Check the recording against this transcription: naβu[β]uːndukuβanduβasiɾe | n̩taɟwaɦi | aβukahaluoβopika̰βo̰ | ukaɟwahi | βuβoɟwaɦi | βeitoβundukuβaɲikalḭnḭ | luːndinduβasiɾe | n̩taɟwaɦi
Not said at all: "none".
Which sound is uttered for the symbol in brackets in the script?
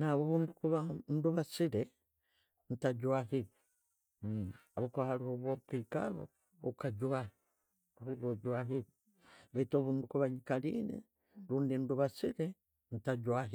β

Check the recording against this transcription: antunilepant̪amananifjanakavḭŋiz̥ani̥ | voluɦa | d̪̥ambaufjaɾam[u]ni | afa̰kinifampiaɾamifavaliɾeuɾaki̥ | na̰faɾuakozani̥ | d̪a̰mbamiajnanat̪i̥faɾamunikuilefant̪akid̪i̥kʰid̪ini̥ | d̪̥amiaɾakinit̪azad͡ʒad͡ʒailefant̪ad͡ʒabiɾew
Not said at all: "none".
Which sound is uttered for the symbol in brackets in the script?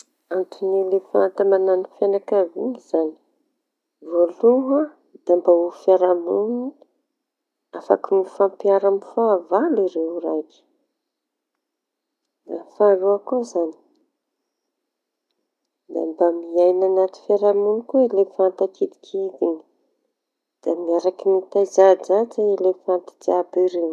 u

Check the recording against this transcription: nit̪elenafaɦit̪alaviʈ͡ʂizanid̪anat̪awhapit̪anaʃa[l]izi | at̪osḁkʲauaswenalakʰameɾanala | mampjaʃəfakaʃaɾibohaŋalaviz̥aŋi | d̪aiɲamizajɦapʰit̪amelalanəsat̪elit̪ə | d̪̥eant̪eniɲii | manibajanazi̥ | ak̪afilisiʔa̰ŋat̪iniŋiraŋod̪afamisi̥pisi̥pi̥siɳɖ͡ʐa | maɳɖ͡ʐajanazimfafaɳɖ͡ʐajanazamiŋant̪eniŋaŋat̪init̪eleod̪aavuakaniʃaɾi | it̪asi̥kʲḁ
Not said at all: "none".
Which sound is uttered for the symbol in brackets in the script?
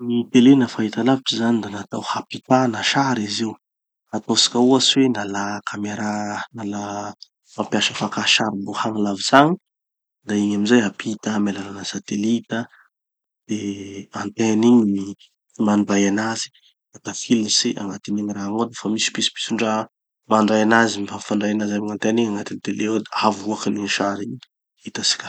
ɾ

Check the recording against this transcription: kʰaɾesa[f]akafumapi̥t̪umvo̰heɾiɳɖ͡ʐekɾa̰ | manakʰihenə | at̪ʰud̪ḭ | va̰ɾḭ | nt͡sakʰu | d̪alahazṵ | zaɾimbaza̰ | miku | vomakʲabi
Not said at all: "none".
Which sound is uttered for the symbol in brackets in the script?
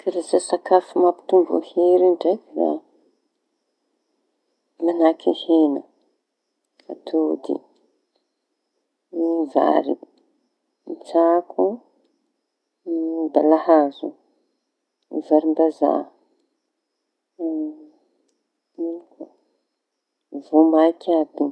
s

